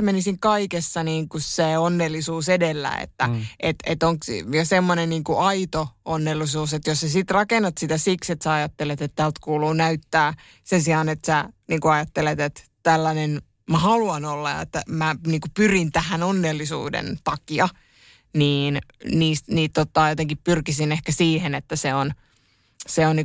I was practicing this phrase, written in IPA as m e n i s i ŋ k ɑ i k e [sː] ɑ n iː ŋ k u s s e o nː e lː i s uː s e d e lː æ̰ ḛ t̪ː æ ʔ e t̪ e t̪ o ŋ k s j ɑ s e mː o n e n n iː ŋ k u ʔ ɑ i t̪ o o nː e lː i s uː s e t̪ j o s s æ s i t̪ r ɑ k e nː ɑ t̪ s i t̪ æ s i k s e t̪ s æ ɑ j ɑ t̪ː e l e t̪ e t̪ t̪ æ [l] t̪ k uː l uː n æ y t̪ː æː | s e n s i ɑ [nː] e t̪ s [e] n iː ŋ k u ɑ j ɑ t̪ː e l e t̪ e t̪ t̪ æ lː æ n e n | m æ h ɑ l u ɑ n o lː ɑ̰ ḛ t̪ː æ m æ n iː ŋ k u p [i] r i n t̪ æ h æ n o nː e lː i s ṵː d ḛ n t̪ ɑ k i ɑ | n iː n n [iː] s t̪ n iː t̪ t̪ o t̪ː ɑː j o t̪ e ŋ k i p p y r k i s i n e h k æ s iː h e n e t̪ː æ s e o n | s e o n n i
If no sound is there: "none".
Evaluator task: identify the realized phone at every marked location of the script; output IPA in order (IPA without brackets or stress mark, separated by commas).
sː, l, n, æ, y, iː